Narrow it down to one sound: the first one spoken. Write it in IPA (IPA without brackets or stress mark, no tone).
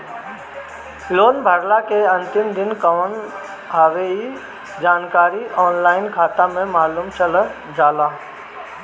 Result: l